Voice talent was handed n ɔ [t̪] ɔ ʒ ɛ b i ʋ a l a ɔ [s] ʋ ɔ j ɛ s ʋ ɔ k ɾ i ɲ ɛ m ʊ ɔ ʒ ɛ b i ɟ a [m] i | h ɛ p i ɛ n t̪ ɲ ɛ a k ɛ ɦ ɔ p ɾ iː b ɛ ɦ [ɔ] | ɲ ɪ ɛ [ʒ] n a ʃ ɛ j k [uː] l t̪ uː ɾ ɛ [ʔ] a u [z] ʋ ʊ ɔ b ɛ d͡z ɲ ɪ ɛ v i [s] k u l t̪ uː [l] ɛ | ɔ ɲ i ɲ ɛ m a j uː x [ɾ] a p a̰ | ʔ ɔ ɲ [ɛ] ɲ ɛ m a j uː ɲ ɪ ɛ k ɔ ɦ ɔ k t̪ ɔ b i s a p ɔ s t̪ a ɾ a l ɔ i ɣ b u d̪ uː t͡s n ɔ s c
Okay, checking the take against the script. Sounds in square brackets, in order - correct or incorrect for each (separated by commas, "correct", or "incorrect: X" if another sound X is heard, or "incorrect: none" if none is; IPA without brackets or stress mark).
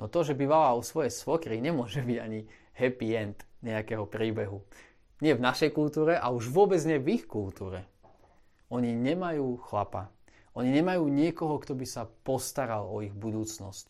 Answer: correct, correct, incorrect: ɲ, incorrect: u, incorrect: v, incorrect: u, correct, incorrect: ʒ, incorrect: x, incorrect: ɾ, incorrect: l, incorrect: i